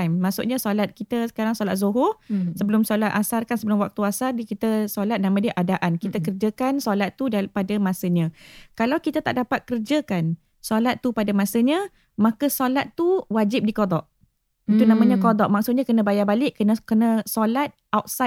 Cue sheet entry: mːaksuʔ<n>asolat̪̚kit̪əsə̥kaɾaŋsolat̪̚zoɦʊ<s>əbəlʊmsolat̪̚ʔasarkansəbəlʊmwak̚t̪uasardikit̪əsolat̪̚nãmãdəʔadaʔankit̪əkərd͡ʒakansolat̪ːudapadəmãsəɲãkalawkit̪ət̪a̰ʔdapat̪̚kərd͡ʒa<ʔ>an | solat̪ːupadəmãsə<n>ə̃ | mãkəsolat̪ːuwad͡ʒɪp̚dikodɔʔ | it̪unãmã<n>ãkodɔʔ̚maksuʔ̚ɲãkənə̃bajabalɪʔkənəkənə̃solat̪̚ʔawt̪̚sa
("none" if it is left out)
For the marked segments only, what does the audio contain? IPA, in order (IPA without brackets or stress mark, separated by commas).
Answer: ɲ, s, k, ɲ, ɲ